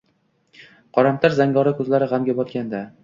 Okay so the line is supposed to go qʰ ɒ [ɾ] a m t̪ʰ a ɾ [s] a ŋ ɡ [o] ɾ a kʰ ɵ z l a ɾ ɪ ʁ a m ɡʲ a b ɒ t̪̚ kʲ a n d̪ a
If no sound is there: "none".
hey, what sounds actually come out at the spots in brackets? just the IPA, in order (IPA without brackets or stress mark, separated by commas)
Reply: ɾ, z, ɒ